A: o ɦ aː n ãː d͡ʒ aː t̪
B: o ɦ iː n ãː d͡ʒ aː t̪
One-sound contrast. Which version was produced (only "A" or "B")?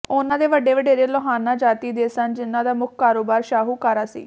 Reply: A